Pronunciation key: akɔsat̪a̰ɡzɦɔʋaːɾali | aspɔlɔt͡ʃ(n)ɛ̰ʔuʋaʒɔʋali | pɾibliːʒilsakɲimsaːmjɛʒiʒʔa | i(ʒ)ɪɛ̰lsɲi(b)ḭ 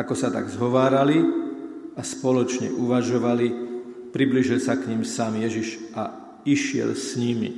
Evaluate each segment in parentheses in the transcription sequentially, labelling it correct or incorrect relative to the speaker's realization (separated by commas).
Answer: incorrect, incorrect, incorrect